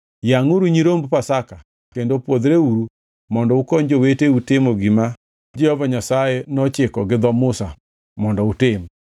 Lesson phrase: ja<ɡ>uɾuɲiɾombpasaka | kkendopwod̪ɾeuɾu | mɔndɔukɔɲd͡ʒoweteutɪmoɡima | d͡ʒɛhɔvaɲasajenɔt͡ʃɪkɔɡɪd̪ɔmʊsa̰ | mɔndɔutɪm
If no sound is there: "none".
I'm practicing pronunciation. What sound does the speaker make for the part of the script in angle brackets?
ŋ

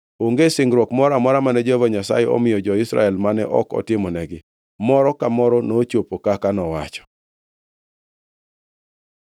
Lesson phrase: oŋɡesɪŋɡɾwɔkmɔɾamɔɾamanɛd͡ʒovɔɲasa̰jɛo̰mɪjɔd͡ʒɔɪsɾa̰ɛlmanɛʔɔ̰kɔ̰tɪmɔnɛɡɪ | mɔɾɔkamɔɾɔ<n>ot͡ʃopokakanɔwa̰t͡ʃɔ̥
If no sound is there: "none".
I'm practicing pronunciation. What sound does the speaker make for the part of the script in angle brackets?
n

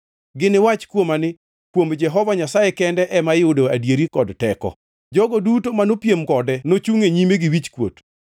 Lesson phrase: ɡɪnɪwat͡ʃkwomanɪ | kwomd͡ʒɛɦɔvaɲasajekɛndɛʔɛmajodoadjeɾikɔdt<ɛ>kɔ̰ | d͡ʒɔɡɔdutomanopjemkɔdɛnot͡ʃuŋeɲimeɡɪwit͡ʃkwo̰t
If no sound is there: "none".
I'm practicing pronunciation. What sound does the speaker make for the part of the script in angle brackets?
ɛ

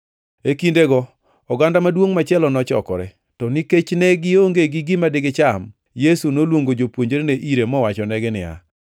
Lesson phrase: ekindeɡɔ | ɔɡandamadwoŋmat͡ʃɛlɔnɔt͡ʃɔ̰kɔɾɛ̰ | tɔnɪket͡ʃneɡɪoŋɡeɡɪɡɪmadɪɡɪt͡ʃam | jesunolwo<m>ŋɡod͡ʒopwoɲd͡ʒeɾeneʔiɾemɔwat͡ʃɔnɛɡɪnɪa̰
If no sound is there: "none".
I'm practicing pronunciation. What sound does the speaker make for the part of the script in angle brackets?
none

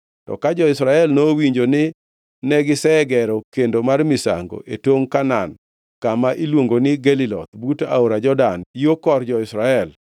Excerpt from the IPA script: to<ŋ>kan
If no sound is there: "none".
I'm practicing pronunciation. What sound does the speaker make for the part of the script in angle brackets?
ŋ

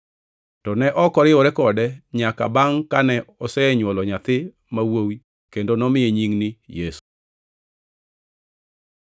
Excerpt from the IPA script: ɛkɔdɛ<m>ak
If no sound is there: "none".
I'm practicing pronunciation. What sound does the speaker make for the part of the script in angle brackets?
ɲ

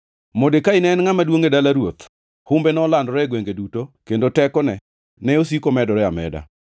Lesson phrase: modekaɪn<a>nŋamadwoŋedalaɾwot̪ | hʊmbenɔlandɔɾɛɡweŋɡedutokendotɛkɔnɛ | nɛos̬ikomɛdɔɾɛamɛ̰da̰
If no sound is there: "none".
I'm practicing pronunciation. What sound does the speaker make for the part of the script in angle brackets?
ɛ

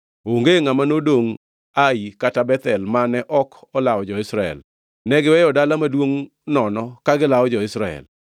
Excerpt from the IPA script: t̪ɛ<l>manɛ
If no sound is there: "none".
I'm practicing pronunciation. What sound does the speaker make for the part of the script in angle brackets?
l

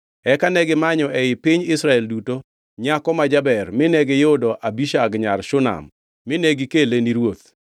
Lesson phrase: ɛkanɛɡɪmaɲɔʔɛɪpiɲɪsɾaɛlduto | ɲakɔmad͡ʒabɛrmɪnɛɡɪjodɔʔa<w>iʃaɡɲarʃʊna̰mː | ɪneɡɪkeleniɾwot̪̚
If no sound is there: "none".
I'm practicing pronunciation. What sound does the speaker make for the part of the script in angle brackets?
b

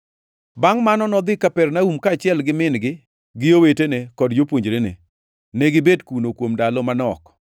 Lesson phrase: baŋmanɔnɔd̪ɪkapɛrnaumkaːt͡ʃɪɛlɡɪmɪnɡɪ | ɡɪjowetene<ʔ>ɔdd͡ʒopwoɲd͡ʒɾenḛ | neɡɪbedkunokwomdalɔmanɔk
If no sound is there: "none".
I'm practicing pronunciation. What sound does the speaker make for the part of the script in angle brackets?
k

